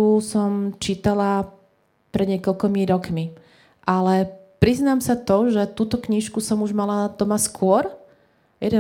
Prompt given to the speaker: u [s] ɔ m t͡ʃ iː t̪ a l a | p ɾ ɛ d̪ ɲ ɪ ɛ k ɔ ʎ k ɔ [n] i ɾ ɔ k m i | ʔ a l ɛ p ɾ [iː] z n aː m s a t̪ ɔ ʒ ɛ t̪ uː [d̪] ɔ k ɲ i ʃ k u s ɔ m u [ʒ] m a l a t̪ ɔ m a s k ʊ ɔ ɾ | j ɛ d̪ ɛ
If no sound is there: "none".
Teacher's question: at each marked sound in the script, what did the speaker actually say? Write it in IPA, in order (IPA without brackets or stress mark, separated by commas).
s, m, i, t̪, ʒ